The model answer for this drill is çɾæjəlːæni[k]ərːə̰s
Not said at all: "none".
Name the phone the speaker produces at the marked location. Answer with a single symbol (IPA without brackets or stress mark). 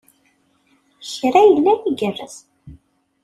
ɡ